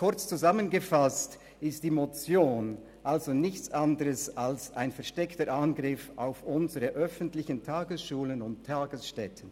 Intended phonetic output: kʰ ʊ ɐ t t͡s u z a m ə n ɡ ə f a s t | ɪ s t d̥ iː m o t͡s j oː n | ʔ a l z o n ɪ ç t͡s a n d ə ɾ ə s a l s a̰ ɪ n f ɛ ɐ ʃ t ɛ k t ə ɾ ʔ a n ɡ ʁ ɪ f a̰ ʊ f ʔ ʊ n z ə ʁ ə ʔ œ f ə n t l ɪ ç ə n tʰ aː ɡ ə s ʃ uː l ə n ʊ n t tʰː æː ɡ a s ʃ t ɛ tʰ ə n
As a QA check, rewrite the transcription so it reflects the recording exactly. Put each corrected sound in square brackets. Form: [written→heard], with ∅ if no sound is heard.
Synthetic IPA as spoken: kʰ ʊ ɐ [t→t͡s] t͡s u z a m ə n ɡ ə f a s t | ɪ s t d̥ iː m o t͡s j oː n | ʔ a l z o n ɪ ç t͡s a n d ə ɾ ə s a l s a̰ ɪ n f ɛ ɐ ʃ t ɛ k t ə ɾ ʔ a n ɡ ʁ ɪ f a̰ ʊ f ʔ ʊ n z ə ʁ ə ʔ œ f ə n t l ɪ ç ə n tʰ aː ɡ ə s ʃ uː l ə n ʊ n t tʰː [æː→aː] ɡ [a→ə] s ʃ t ɛ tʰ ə n